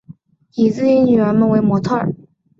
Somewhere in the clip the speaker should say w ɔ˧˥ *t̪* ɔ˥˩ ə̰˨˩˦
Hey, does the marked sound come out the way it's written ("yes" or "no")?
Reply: no